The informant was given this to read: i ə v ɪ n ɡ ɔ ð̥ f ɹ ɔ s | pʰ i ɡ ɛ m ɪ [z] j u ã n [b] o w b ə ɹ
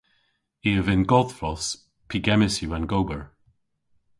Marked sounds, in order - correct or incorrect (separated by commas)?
incorrect, incorrect